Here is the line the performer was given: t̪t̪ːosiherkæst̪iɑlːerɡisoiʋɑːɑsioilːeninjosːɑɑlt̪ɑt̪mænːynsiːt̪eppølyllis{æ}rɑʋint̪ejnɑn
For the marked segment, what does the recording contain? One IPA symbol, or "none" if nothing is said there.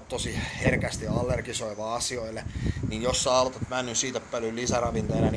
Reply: æ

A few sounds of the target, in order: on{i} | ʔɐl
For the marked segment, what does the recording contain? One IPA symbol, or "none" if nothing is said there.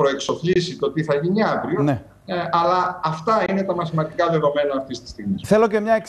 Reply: e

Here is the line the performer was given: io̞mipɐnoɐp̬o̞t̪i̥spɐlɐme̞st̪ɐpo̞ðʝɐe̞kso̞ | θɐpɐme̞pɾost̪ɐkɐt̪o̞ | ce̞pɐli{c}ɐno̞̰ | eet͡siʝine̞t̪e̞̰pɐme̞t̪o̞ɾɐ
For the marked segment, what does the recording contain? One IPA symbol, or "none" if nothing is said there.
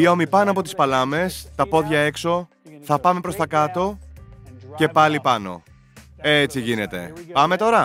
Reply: p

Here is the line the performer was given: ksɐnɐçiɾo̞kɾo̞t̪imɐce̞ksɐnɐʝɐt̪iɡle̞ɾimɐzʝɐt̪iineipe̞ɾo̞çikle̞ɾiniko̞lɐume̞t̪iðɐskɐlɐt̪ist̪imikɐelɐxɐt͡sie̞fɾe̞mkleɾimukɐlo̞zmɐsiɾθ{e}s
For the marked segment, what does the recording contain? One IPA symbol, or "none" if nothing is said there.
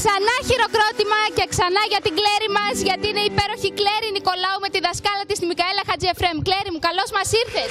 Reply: e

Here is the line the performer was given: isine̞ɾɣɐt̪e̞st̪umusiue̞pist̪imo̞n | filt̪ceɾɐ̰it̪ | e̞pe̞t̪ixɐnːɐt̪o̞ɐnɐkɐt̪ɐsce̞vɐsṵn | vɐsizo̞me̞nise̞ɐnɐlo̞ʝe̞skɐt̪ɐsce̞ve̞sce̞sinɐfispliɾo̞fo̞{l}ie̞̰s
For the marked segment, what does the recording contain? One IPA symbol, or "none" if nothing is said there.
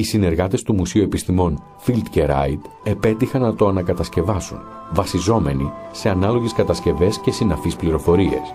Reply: ɾ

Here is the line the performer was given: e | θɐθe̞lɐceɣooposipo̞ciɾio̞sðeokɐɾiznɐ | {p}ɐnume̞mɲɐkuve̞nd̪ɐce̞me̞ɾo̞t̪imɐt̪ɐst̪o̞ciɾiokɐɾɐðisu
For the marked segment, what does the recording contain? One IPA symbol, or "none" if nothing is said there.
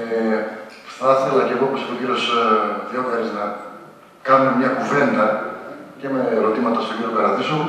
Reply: k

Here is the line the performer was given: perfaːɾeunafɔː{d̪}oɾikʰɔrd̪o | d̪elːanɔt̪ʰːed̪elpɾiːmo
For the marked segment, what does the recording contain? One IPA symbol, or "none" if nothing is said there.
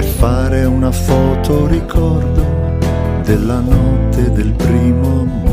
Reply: t̪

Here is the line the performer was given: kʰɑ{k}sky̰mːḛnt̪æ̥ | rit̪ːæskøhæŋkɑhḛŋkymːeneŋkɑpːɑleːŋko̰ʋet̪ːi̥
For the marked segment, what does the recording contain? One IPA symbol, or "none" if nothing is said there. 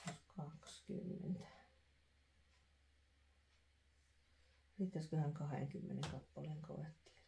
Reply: k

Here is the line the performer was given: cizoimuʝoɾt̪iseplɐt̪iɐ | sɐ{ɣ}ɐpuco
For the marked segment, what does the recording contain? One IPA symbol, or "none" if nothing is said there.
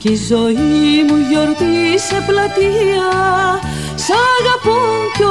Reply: ɣ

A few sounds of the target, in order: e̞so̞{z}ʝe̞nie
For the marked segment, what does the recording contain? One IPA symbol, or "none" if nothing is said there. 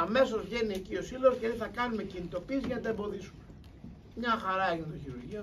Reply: z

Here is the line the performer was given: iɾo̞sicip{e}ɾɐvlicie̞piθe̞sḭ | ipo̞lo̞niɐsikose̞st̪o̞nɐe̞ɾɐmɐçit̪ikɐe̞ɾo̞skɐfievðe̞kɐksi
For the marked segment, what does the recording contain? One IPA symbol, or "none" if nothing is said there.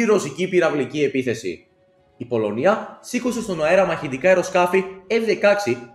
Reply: i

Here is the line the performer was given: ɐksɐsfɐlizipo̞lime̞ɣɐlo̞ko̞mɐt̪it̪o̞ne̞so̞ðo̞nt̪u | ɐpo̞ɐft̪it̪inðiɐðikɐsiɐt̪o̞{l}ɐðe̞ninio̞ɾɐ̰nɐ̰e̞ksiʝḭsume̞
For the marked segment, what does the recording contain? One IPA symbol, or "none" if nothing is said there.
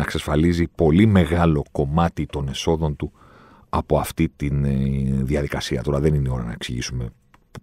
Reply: ɾ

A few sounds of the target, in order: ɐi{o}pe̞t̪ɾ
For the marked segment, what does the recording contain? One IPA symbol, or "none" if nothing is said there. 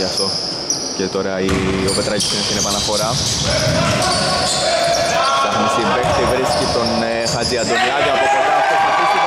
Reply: o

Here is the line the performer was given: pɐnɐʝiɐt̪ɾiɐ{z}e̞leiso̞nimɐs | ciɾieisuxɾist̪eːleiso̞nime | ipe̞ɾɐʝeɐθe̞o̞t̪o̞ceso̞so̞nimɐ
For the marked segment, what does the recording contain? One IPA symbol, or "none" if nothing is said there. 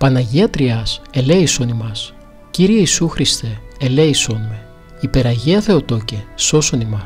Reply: s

